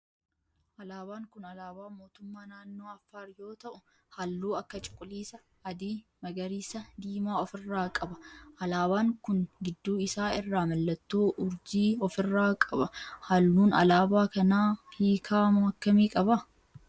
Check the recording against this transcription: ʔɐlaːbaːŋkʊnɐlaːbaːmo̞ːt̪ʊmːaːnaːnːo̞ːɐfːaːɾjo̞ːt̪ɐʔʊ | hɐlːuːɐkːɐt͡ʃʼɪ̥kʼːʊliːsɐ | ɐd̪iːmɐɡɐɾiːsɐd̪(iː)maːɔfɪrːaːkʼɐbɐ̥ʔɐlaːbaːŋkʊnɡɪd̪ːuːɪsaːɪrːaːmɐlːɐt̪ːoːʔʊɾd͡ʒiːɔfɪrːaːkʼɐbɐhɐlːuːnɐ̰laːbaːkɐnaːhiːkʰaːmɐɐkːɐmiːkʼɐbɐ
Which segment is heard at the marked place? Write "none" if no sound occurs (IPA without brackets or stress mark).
iː